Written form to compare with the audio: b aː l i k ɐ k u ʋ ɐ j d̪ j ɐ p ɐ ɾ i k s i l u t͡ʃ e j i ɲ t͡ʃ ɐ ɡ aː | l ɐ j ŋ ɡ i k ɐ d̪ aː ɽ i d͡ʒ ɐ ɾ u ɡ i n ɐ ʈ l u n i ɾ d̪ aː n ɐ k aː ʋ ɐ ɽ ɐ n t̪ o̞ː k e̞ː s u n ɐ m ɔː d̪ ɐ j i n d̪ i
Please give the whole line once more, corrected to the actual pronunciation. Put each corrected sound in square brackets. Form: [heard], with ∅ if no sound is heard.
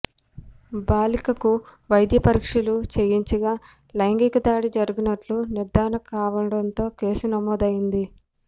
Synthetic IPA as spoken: b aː l i k ɐ k u ʋ ɐ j d̪ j ɐ p ɐ ɾ i k [ʂ] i l u t͡ʃ e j i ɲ t͡ʃ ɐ ɡ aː | l ɐ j ŋ ɡ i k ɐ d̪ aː ɽ i d͡ʒ ɐ ɾ u ɡ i n ɐ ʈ l u n i ɾ d̪ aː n ɐ k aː ʋ ɐ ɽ ɐ n t̪ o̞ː k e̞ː s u n ɐ m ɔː d̪ ɐ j i n d̪ i